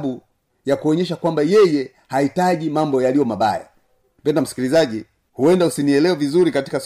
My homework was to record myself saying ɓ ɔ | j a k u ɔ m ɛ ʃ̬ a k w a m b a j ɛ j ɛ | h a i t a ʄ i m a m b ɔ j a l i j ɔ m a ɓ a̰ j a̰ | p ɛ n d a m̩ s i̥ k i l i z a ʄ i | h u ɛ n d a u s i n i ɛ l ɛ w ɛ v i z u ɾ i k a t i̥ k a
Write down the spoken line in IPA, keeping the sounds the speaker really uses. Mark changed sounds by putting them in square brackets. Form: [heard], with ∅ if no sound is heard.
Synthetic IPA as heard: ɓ [u] | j a k u ɔ [ɲ] ɛ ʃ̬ a k w a m b a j ɛ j ɛ | h a i t a ʄ i m a m b ɔ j a l i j ɔ m a ɓ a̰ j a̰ | p ɛ n d a m̩ s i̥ k i l i z a ʄ i | h u ɛ n d a u s i n i ɛ l ɛ w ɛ v i z u ɾ i k a t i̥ k a